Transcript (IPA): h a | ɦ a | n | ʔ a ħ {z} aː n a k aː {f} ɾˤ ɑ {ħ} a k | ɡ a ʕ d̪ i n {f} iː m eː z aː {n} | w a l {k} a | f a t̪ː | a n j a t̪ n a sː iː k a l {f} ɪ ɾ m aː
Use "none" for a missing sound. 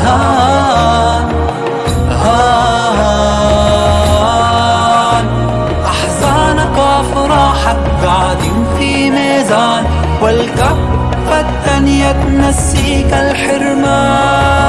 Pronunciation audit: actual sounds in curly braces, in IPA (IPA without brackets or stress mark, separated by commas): z, f, ħ, f, n, k, ħ